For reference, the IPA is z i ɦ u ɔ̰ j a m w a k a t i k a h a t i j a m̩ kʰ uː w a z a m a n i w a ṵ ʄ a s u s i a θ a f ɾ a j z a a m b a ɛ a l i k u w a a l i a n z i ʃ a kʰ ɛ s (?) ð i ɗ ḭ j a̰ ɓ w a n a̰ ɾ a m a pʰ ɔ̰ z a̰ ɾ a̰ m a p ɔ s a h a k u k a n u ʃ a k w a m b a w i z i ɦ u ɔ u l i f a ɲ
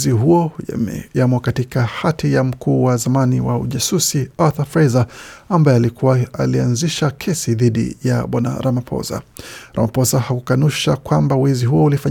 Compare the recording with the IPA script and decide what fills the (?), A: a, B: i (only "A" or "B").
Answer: B